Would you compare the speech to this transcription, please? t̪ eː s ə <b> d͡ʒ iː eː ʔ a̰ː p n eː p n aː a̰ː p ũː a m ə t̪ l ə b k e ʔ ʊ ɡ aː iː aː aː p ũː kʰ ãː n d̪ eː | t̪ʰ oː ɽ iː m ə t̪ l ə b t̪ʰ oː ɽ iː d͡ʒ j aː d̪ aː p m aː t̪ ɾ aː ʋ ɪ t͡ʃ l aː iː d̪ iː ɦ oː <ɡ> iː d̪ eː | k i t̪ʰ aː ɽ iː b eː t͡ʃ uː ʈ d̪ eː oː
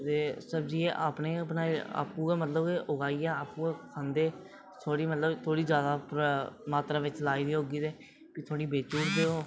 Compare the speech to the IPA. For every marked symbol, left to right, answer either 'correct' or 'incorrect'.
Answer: correct, correct

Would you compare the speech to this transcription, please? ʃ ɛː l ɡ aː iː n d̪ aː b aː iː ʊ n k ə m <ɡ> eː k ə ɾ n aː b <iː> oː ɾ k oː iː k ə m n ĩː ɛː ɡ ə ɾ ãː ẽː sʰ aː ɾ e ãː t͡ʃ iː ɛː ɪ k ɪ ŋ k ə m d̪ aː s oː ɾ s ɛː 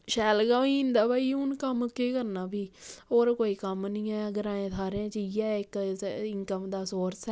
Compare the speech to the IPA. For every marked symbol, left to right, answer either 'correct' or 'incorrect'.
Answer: incorrect: k, correct

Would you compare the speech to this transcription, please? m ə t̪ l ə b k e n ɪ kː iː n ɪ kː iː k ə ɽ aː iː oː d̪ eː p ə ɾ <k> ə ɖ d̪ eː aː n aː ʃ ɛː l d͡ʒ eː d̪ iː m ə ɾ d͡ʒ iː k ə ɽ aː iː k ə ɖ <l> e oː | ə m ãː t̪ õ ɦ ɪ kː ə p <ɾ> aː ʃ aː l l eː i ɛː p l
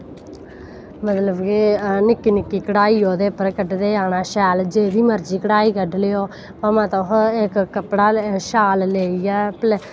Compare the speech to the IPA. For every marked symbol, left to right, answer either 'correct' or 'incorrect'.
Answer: correct, correct, incorrect: ɽ

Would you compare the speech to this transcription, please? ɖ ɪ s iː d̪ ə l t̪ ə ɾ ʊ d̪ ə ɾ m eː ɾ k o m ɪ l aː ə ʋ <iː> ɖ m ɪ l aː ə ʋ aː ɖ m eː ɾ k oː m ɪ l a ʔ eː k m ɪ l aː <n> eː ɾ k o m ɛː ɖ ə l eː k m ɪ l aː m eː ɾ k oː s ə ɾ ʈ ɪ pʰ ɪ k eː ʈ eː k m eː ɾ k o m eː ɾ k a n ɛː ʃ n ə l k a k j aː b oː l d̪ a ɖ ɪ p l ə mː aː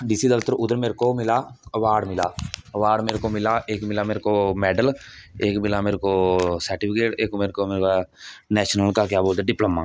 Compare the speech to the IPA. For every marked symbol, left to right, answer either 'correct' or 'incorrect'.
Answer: incorrect: aː, incorrect: m

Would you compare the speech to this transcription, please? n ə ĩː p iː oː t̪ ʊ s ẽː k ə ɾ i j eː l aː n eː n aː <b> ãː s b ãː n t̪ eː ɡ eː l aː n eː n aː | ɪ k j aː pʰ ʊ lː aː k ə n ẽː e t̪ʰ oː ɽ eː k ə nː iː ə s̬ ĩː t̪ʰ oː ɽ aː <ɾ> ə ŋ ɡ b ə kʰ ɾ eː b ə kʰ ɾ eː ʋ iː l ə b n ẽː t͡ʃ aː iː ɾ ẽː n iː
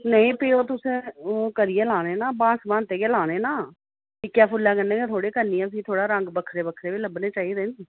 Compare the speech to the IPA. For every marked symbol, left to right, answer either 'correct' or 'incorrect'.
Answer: correct, correct

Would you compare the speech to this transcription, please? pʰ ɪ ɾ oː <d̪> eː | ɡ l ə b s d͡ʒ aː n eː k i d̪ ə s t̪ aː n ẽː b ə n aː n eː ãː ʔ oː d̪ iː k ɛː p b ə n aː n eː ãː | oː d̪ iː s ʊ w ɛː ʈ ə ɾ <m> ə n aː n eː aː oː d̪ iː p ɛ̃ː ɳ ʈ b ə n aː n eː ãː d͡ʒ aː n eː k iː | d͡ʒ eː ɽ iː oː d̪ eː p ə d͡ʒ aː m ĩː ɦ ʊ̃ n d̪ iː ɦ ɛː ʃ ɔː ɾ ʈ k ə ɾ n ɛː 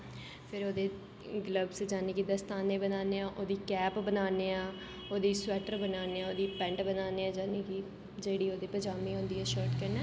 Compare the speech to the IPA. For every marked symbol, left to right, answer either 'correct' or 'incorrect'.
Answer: correct, incorrect: b

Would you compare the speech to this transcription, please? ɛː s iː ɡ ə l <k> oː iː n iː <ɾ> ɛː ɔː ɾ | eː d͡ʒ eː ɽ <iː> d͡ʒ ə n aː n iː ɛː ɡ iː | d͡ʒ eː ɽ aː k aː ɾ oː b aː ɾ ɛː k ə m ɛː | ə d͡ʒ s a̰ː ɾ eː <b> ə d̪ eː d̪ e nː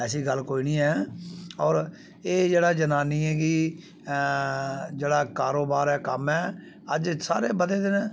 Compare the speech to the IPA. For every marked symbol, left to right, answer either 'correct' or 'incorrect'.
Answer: correct, incorrect: none, incorrect: aː, correct

